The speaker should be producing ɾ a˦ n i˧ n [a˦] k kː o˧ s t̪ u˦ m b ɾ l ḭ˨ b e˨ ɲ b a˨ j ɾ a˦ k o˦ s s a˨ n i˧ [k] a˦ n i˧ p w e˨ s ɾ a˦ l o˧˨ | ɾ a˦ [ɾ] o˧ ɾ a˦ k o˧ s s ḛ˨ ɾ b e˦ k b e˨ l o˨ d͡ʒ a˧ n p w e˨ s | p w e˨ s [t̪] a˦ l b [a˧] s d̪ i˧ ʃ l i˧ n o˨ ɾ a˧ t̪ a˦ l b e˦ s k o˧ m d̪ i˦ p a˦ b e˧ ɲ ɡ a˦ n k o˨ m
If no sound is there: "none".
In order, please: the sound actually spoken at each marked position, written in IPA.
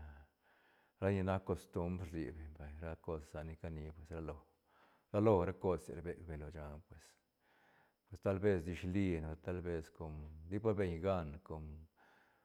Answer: a˦, k, l, t̪, e˧

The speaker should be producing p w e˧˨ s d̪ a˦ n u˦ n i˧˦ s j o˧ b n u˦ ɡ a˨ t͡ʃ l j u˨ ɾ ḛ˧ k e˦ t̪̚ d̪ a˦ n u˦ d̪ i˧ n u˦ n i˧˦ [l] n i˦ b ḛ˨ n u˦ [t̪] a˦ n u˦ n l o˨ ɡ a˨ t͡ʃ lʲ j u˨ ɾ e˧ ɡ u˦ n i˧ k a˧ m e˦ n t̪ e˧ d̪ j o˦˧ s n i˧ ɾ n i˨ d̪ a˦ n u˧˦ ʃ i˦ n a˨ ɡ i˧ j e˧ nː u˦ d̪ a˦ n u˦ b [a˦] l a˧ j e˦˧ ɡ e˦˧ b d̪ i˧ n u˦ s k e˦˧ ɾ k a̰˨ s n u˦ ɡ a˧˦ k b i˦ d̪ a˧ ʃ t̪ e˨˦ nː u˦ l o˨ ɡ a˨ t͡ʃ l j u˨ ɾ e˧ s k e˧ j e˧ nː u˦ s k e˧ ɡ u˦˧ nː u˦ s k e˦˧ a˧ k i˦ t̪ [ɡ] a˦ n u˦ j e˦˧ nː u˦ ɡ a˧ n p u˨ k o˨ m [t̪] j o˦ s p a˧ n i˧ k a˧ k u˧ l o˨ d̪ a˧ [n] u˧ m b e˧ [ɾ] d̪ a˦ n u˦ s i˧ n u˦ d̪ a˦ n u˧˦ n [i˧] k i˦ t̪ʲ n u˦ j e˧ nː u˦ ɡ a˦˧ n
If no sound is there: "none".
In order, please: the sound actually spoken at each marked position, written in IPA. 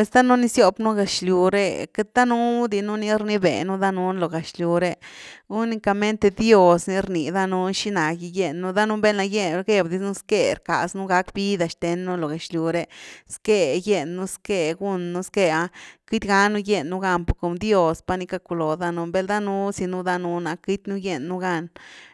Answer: ɾ, d̪, e˦, ɡ, d̪, n, l, a˧

